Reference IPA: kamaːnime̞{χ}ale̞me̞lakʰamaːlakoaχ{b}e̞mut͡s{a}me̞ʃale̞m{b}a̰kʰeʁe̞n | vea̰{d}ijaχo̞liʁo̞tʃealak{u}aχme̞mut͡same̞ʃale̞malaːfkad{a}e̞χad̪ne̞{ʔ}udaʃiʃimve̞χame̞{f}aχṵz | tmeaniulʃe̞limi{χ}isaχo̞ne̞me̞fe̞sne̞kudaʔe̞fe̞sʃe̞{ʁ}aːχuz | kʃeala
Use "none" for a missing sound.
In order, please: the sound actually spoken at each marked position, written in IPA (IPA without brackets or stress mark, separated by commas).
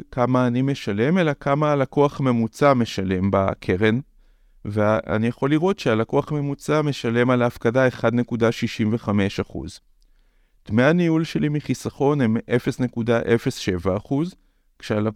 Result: ʃ, m, a, b, n, o, a, k, ʃ, χ, v